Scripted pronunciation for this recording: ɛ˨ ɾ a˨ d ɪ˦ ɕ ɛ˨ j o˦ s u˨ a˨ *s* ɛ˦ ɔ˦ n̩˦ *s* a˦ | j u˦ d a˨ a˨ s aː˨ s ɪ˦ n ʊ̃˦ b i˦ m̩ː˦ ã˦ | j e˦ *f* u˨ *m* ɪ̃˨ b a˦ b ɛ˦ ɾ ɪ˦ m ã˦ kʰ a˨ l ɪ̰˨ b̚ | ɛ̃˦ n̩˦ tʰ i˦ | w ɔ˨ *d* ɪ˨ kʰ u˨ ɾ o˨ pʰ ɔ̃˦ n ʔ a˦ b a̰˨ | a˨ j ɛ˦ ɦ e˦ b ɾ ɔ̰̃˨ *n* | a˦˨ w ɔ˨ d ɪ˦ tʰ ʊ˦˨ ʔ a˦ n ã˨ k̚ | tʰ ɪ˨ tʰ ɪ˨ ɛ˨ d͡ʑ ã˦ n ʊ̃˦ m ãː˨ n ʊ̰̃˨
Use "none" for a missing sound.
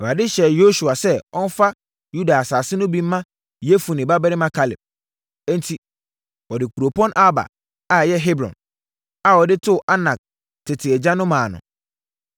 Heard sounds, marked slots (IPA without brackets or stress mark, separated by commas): s, f, f, n, d, n